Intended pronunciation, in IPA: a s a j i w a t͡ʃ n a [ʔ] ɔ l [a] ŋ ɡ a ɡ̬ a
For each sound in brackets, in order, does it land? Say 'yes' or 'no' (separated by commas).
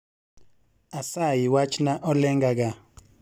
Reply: yes, no